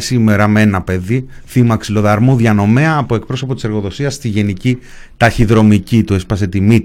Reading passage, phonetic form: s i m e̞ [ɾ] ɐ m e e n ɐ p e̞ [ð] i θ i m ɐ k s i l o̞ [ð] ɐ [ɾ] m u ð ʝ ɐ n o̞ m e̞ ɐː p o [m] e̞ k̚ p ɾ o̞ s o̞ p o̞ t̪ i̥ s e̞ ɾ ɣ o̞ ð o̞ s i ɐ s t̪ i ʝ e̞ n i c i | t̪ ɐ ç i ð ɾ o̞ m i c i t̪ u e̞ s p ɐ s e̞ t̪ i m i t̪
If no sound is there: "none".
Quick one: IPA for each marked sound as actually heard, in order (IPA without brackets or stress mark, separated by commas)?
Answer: ɾ, ð, ð, ɾ, none